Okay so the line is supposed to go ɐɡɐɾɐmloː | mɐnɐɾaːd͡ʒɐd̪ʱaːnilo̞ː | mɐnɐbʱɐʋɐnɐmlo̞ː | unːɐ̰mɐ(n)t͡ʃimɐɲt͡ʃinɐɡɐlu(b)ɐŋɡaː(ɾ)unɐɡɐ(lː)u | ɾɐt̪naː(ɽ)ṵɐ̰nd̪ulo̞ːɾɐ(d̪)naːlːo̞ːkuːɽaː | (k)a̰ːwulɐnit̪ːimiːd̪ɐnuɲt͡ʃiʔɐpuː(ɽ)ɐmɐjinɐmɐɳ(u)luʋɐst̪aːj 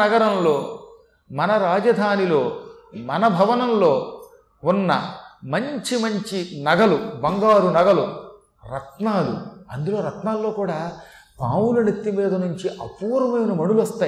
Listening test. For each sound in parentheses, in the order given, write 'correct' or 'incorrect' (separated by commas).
incorrect, correct, correct, incorrect, incorrect, incorrect, incorrect, incorrect, correct